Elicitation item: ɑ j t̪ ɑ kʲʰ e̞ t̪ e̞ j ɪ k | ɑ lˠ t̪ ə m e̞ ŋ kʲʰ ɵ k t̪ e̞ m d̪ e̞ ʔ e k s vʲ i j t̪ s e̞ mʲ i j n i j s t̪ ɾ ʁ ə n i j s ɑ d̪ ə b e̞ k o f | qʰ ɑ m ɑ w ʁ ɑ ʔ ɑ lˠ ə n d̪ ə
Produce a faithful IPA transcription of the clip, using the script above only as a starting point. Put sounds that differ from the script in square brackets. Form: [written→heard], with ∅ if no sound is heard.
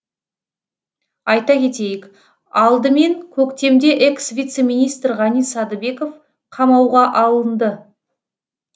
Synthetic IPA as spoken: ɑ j t̪ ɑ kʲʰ e̞ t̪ e̞ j ɪ k | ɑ lˠ [t̪→d̪] ə m e̞ ŋ kʲʰ ɵ k t̪ e̞ m d̪ e̞ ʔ e k s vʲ i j t̪ s e̞ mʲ i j n i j s t̪ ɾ ʁ [ə→ɑ] n i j s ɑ d̪ ə b e̞ k o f | qʰ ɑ m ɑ w ʁ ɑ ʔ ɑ lˠ ə n d̪ ə